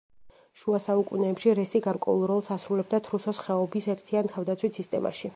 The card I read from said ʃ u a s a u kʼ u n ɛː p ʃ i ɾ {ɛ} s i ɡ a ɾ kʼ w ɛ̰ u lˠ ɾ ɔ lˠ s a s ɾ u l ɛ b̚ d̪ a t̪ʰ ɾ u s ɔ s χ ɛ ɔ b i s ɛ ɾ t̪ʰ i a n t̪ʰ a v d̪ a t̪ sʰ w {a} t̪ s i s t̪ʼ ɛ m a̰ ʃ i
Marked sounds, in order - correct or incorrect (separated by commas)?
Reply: correct, incorrect